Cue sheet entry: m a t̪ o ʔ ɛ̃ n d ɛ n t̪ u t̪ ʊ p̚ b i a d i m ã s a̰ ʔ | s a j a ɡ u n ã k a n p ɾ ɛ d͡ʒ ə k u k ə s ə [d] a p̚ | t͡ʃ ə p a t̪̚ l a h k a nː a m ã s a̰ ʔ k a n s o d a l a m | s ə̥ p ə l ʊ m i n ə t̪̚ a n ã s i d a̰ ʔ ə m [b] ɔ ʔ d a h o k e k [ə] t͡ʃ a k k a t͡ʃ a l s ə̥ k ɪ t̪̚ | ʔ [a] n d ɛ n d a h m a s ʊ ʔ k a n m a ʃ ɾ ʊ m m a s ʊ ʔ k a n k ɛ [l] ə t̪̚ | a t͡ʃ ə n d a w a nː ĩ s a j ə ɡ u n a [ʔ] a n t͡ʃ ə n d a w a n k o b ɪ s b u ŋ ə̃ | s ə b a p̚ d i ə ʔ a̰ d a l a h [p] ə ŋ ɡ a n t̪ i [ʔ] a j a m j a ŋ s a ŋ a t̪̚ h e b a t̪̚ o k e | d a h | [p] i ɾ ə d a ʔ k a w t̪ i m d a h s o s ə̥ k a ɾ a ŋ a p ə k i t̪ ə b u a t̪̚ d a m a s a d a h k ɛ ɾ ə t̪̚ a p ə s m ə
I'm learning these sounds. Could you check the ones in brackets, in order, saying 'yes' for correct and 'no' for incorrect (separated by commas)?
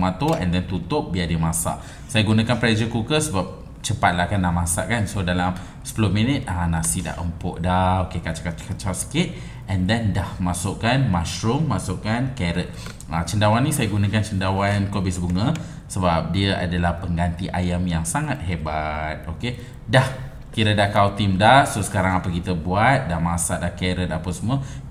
no, no, no, no, no, no, yes, yes, no